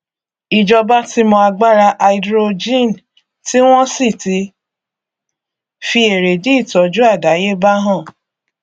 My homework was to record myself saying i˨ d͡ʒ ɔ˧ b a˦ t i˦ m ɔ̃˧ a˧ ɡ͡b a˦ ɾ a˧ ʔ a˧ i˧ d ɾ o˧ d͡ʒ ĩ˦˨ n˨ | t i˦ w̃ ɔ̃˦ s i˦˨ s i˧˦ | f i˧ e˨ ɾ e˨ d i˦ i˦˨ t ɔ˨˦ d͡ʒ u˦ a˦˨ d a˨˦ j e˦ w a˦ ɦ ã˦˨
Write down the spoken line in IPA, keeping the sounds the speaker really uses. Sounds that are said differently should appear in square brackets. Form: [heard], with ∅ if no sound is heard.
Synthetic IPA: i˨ d͡ʒ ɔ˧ b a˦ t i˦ m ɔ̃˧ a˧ ɡ͡b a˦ ɾ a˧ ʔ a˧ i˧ d ɾ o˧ d͡ʒ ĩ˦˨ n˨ | t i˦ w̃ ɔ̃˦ s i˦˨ [t] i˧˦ | f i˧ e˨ ɾ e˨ d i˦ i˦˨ t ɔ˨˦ d͡ʒ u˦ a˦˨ d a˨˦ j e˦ [b] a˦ ɦ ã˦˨

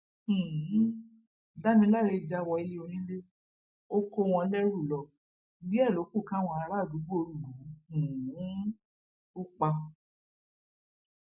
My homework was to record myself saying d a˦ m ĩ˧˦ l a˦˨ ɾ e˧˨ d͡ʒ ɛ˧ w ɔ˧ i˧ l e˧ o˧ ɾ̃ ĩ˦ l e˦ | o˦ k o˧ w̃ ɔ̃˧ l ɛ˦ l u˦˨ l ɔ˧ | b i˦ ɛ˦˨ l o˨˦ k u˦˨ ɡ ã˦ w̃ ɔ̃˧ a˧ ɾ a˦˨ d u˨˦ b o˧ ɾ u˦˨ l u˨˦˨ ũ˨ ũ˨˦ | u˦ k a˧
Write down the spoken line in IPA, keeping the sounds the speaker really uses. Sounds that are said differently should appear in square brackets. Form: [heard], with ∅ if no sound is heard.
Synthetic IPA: d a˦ m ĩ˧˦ l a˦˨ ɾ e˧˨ d͡ʒ [a˧] w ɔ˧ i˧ l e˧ o˧ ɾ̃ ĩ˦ l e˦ | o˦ k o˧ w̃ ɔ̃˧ l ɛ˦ [ɾ] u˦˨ l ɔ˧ | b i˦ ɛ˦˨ l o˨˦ k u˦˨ [k] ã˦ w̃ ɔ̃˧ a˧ ɾ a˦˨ d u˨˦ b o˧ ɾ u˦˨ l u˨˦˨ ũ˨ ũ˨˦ | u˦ [k͡p] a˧

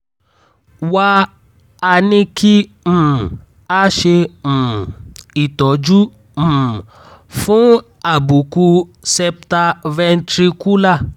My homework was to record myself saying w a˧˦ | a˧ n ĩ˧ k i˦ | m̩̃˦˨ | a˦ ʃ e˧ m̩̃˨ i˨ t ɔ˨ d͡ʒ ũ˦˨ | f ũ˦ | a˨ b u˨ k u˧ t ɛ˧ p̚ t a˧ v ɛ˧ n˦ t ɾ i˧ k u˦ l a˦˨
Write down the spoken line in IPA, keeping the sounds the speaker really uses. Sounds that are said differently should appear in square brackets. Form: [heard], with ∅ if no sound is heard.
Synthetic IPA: w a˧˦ | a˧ n ĩ˧ k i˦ | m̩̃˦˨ | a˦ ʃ e˧ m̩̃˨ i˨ t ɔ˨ d͡ʒ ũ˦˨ | f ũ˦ | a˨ b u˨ k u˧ [s] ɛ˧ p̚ t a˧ v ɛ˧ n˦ t ɾ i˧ k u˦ l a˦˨

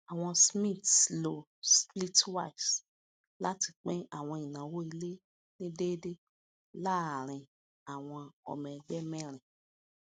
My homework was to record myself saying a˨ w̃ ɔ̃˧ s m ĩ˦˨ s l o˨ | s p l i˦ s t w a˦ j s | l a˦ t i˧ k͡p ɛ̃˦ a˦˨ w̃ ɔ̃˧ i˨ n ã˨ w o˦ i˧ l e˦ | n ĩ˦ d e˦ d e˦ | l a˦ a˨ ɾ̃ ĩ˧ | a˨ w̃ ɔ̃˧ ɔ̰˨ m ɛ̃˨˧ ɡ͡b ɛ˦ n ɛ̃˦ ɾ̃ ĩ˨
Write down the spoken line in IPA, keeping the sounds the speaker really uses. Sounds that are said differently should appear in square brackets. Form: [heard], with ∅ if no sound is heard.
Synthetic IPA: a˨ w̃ ɔ̃˧ s m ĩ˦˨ [t] l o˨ | s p l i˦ [∅] t w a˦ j s | l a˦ t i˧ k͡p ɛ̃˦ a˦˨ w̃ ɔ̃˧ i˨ n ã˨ w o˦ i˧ l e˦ | n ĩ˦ d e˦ d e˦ | l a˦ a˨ ɾ̃ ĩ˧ | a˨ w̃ ɔ̃˧ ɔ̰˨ m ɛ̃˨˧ ɡ͡b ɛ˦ [m] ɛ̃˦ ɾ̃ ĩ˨

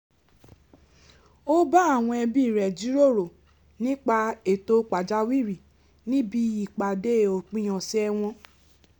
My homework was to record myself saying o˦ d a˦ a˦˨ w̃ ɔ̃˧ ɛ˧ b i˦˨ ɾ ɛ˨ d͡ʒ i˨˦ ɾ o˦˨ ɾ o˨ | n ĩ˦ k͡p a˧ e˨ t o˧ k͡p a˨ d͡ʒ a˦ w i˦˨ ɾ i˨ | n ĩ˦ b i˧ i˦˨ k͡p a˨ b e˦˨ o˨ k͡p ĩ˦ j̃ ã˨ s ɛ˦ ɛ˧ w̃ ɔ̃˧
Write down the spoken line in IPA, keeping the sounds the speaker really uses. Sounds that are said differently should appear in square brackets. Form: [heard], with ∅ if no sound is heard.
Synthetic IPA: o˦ [b] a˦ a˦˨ w̃ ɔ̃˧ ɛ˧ b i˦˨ ɾ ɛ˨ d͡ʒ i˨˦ ɾ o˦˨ ɾ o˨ | n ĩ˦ k͡p a˧ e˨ t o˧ k͡p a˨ d͡ʒ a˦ w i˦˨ ɾ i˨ | n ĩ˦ b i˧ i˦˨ k͡p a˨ [d] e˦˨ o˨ k͡p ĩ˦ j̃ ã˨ s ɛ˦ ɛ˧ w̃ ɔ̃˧

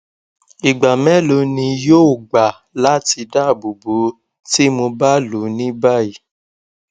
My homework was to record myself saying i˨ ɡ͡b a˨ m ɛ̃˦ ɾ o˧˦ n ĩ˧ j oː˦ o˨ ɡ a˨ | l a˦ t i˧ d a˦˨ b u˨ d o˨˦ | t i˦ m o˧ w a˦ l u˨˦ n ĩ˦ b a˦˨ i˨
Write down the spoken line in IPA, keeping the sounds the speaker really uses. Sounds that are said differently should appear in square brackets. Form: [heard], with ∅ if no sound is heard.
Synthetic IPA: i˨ ɡ͡b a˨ m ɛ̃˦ [l] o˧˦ n ĩ˧ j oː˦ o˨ [ɡ͡b] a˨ | l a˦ t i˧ d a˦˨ b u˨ [b] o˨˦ | t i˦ m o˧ [b] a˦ l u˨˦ n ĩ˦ b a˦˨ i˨

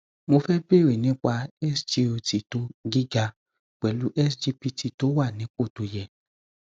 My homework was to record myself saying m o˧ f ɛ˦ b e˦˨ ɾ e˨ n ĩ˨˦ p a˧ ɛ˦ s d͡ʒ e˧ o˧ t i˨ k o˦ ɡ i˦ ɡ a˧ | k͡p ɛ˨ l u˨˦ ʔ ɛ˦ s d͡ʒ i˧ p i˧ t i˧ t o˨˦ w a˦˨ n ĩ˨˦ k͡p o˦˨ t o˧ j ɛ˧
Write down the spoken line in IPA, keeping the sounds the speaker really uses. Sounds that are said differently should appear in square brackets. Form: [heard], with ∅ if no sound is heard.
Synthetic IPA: m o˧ f ɛ˦ b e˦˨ ɾ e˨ n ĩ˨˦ [k͡p] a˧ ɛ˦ s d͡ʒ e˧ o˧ t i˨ [t] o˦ ɡ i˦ ɡ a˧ | k͡p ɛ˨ l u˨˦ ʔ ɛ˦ s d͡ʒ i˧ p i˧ t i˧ t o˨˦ w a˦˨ n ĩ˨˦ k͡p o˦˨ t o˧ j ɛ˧

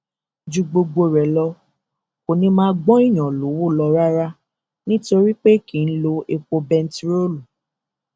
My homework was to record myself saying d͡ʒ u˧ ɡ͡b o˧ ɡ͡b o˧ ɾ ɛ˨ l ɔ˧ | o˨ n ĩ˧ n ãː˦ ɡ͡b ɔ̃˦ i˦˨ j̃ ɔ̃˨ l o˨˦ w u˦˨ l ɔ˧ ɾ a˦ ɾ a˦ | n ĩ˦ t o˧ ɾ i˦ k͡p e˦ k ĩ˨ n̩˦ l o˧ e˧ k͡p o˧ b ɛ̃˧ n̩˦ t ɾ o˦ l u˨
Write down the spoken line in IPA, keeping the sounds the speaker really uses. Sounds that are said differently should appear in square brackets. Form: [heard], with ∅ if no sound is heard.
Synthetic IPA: d͡ʒ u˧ ɡ͡b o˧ ɡ͡b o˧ ɾ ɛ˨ l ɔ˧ | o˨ n ĩ˧ [m] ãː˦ ɡ͡b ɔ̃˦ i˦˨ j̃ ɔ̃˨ l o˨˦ w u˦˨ l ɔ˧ ɾ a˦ ɾ a˦ | n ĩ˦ t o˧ ɾ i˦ k͡p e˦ k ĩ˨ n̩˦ l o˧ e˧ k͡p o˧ b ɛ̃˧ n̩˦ t ɾ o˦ l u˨

